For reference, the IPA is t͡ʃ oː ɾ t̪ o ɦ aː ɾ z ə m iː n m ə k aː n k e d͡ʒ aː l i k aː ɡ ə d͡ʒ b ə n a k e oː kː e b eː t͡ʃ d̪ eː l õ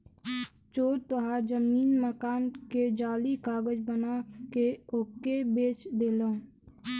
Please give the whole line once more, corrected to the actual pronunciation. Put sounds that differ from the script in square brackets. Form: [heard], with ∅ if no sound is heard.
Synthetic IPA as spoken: t͡ʃ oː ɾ t̪ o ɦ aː ɾ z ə m iː n m ə k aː n k e d͡ʒ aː l i k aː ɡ ə d͡ʒ b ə n a k e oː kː e b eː t͡ʃ d̪ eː l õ